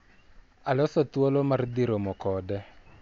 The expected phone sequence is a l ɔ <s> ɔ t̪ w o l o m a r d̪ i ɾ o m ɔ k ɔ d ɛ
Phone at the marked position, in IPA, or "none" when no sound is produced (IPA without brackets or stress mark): s